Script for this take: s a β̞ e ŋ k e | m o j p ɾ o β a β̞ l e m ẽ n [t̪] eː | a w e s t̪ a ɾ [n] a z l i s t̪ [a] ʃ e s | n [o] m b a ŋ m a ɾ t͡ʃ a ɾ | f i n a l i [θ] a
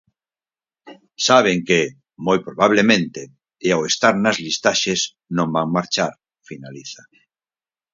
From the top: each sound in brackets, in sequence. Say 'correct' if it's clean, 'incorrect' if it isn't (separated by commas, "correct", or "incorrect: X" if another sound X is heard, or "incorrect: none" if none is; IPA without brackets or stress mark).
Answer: correct, correct, correct, incorrect: õ, correct